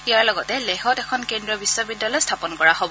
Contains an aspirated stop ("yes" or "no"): yes